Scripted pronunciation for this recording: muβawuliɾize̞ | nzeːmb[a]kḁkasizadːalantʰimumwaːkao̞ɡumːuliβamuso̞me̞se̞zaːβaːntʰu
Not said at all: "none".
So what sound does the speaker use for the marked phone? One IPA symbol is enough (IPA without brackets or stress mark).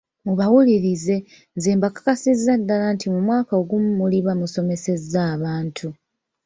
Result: a